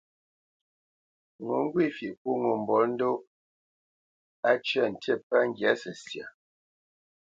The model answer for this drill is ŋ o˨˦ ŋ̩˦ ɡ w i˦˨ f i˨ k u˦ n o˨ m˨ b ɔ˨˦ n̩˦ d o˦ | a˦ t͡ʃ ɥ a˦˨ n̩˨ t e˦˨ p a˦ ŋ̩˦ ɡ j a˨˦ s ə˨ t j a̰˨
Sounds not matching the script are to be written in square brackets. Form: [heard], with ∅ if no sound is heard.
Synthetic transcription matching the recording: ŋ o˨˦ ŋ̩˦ ɡ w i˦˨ f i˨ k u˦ [ŋ] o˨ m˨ b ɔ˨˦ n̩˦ d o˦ | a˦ t͡ʃ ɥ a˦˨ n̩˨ t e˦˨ p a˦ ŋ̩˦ ɡ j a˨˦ s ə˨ [s] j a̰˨

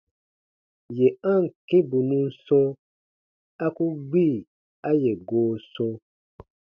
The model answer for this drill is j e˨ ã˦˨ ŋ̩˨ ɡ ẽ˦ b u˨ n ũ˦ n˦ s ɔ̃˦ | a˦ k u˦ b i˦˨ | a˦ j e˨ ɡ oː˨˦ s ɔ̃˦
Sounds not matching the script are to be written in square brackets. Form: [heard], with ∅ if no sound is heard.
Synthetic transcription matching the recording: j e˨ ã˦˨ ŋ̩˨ [k] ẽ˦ b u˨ n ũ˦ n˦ s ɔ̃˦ | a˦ k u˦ [ɡ͡b] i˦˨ | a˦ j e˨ ɡ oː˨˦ s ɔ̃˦

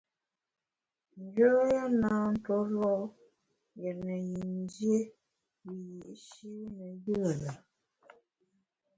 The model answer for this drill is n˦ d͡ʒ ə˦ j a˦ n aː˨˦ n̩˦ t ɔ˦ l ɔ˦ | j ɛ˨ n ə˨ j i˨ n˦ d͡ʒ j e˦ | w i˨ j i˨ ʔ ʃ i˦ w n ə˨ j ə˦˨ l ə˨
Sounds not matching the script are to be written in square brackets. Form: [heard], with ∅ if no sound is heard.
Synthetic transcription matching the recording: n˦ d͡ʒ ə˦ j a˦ n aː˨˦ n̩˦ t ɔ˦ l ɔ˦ | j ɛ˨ n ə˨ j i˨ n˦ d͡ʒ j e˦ | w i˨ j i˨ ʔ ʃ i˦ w n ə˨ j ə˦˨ l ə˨

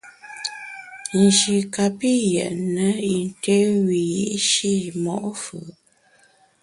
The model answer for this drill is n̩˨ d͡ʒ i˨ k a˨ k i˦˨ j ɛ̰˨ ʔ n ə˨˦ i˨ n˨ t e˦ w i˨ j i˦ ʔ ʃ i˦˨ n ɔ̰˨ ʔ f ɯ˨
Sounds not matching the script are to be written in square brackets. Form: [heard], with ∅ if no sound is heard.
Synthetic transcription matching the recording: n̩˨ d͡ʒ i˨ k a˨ [p] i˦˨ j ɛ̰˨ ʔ n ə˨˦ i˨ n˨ t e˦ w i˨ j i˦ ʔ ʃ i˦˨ [m] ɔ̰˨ ʔ f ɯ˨

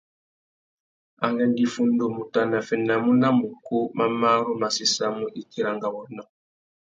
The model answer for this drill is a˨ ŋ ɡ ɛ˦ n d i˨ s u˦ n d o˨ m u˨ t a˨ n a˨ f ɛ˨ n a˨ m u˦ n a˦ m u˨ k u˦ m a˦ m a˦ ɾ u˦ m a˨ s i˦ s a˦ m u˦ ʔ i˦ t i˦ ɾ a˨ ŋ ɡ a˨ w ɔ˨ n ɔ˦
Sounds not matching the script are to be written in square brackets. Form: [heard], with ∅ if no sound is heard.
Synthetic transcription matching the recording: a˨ ŋ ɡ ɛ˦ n d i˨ [f] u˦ n d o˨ m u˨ t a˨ n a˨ f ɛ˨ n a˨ m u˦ n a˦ m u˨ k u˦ m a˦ m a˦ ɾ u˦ m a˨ s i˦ s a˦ m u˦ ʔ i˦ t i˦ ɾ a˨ ŋ ɡ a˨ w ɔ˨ n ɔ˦

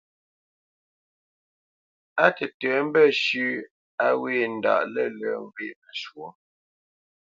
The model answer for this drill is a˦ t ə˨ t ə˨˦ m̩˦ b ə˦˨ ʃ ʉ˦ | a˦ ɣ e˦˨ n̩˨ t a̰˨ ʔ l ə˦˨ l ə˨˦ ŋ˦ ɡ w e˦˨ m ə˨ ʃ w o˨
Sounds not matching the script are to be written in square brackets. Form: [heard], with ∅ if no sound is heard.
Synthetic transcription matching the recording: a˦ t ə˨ t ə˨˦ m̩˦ b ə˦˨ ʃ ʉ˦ | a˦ [w] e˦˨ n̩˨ [d] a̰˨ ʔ l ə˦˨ l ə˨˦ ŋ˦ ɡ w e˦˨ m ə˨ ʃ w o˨

